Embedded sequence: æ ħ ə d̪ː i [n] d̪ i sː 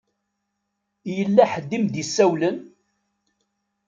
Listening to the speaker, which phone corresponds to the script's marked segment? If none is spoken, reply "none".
m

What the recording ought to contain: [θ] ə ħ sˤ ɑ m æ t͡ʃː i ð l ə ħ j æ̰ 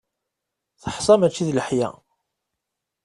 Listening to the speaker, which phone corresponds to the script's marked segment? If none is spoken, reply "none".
θ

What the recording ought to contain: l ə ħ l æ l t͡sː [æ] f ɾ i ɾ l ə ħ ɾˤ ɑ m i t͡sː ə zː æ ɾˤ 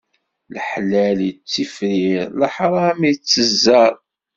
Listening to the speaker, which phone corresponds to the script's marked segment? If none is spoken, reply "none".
i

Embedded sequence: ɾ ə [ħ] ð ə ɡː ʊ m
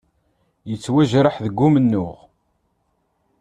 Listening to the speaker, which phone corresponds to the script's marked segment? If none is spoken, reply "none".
ħ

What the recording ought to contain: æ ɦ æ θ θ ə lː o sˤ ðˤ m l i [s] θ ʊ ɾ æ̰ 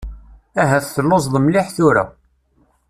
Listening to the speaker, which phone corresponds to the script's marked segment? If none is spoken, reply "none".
ħ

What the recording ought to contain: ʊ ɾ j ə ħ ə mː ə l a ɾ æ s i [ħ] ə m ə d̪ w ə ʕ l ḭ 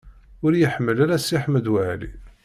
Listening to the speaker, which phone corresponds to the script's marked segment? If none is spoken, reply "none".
ħ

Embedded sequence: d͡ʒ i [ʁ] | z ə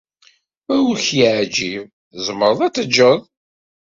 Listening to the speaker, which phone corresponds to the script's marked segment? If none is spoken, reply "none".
v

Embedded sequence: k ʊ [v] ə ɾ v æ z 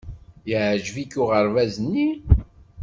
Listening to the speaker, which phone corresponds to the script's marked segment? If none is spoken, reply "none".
ʁ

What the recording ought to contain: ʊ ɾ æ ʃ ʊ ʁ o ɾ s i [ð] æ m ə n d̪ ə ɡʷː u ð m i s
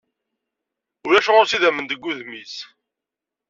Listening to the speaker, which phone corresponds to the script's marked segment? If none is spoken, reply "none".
ð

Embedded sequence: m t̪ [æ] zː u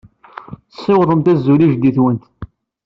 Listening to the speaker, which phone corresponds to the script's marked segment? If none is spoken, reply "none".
æ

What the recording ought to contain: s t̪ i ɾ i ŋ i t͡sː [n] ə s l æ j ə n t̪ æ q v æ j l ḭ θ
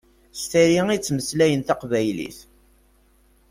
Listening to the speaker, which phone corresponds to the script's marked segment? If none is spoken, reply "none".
m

